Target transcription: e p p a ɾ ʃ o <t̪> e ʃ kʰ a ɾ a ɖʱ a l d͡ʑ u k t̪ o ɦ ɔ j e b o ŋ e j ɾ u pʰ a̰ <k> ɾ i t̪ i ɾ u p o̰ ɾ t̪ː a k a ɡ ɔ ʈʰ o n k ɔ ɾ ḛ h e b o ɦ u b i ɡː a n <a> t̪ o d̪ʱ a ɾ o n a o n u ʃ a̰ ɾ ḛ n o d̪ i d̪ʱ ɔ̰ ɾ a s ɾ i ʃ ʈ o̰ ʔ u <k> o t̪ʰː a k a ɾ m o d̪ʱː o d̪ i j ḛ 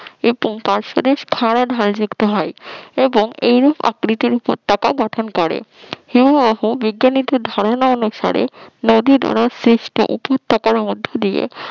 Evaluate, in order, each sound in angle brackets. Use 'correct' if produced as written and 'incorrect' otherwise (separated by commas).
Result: incorrect, correct, incorrect, incorrect